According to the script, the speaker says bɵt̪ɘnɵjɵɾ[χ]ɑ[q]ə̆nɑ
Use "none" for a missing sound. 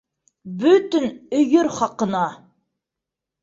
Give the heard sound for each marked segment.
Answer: χ, q

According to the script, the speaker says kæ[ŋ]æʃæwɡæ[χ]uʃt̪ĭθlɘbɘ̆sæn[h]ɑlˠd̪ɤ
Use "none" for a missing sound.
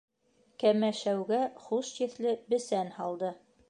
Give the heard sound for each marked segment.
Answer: m, χ, h

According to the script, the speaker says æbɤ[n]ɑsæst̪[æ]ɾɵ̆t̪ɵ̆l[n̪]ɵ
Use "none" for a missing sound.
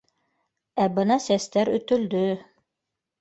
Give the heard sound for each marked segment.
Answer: n, æ, d̪

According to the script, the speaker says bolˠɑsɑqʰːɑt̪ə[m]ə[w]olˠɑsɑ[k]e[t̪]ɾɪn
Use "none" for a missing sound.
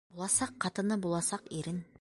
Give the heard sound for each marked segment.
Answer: n, b, q, none

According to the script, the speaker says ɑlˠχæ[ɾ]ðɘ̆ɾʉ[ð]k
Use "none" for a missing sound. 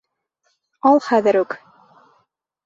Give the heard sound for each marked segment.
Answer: none, none

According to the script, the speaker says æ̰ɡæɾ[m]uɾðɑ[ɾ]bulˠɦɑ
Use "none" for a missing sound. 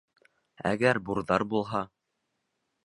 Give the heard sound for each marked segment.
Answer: b, ɾ

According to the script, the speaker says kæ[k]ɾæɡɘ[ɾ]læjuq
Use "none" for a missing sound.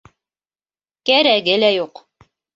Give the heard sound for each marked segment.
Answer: none, none

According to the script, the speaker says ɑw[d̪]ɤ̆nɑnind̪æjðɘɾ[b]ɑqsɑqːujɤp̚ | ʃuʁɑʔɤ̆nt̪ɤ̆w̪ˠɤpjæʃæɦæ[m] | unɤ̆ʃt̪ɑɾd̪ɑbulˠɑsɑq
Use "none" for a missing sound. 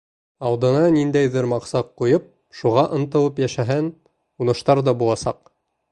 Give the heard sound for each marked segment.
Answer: d̪, m, n

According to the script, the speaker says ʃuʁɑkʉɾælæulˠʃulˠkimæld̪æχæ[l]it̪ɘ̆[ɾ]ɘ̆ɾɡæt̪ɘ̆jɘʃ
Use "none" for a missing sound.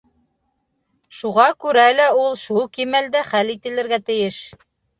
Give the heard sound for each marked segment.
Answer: l, l

